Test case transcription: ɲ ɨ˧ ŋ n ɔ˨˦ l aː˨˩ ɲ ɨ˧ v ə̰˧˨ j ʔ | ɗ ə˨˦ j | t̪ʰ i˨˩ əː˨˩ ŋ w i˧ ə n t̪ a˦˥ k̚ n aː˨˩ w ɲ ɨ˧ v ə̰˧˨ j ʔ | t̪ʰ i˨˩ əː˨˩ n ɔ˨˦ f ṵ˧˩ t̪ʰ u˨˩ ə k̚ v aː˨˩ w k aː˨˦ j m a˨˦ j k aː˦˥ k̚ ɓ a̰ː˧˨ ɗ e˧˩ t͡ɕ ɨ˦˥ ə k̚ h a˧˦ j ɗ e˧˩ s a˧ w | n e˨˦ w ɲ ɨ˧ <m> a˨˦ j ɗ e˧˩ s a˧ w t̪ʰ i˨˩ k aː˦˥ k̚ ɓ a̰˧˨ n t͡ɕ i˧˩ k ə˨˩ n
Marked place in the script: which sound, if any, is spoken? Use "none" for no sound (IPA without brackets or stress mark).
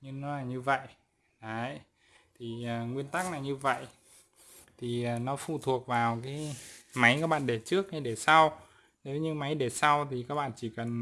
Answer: m